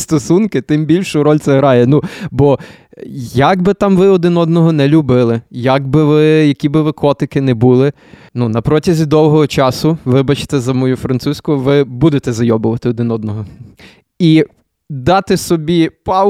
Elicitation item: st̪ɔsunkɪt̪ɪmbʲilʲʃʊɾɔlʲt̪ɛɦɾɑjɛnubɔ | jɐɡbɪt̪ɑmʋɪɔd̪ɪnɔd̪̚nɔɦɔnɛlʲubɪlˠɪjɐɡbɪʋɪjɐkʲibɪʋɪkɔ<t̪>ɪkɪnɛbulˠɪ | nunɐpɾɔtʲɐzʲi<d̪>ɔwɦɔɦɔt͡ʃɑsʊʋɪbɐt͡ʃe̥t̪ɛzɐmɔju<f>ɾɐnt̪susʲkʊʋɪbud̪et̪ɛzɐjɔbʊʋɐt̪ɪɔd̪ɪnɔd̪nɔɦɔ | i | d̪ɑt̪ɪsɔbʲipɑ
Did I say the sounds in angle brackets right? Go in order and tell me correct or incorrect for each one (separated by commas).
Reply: correct, correct, correct